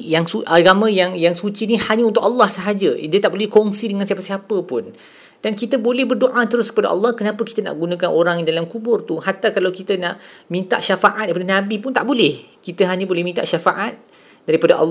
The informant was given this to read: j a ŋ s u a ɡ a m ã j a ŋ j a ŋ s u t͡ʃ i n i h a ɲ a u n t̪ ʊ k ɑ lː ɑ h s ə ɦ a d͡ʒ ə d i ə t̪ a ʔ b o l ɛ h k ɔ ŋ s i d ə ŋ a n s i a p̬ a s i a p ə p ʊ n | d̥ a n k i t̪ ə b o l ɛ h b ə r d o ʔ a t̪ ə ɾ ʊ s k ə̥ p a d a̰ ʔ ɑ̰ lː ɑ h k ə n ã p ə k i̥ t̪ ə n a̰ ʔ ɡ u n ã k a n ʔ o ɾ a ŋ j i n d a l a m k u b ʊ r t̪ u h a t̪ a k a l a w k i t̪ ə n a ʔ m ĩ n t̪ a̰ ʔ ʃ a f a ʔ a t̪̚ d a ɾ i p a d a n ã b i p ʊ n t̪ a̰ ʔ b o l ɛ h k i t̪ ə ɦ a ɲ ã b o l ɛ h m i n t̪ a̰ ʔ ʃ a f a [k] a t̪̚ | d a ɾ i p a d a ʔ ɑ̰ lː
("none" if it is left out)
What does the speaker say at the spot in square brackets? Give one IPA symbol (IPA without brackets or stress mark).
ʔ